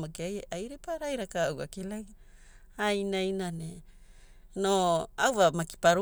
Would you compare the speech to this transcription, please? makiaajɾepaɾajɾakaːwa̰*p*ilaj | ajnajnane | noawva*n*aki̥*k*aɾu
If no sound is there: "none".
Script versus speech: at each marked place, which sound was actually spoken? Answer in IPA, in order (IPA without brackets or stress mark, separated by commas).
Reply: k, m, p